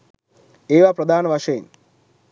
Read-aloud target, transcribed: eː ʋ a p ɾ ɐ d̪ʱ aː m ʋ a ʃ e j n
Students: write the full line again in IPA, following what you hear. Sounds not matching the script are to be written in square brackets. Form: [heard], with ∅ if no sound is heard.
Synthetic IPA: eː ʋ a p ɾ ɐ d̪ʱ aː [n] ʋ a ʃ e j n